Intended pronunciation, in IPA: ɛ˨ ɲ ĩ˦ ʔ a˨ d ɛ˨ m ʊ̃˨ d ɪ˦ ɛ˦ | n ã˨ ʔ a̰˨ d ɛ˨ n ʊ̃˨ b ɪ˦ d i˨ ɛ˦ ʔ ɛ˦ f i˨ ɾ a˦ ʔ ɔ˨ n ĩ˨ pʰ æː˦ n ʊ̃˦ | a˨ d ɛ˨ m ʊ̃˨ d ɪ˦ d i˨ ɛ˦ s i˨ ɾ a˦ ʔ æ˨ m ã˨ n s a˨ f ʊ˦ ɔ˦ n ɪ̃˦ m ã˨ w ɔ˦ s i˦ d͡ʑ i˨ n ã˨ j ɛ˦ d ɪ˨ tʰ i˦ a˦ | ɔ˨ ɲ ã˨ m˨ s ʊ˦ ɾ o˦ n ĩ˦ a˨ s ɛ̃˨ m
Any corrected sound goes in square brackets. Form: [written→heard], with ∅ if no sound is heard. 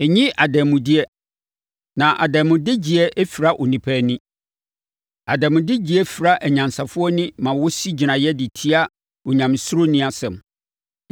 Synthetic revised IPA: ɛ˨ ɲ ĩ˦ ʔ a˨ d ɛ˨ m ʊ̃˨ d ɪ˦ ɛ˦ | n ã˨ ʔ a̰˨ d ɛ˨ [n→m] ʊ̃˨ [b→d] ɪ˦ [d→d͡ʑ] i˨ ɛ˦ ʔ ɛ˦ f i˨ ɾ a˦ ʔ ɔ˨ n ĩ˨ pʰ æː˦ n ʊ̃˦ | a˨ d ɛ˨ m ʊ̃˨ d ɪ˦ [d→d͡ʑ] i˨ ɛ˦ [s→f] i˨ ɾ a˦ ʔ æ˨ [m→ɲ] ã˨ n s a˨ f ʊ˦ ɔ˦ n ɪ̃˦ m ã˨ w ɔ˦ s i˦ d͡ʑ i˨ n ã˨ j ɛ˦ d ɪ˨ tʰ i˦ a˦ | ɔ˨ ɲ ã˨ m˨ s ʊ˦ ɾ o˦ n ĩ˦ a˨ s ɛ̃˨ m